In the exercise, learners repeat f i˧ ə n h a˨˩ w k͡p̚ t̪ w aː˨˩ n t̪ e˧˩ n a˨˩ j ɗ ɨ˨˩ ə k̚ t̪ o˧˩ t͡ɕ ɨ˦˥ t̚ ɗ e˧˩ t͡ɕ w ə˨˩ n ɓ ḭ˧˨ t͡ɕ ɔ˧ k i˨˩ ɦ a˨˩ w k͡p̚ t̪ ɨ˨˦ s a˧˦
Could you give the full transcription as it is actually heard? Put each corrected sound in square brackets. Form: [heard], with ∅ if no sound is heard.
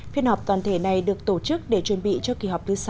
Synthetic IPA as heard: f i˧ ə n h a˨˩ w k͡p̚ t̪ w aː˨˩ n [t̪ʰ] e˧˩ n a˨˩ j ɗ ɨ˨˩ ə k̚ t̪ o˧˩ t͡ɕ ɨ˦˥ [k̚] ɗ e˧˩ t͡ɕ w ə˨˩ n ɓ ḭ˧˨ t͡ɕ ɔ˧ k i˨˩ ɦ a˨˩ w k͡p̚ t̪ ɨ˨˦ s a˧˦